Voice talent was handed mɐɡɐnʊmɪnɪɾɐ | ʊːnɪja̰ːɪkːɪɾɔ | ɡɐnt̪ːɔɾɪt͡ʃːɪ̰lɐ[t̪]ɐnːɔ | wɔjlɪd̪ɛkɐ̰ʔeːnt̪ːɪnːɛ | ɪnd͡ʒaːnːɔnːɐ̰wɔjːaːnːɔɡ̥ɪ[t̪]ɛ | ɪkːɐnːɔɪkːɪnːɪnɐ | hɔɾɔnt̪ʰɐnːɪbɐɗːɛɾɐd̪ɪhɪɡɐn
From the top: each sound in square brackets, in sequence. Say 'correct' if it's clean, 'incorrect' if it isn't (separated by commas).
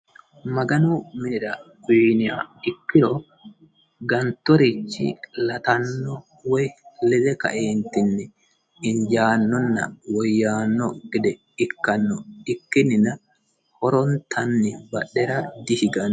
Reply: correct, incorrect